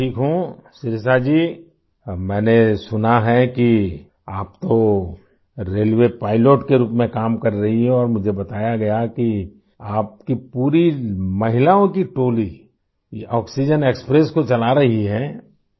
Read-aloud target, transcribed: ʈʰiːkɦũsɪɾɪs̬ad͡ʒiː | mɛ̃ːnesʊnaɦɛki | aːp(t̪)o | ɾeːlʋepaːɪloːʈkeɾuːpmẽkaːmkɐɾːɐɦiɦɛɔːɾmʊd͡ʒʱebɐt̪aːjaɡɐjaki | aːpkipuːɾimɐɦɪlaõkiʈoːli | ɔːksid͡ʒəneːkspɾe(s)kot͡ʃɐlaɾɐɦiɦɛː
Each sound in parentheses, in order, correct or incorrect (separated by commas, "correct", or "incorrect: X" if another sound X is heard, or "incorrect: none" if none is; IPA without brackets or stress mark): correct, correct